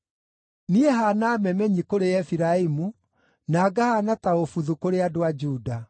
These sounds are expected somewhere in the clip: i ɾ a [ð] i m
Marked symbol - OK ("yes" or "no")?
no